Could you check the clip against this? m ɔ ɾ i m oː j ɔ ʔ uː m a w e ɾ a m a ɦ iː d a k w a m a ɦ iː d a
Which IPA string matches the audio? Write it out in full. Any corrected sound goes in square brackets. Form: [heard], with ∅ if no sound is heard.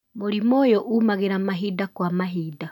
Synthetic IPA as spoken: m [o] ɾ i m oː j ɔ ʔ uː m a [ɣ] e ɾ a m a ɦ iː d a k w a m a ɦ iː d a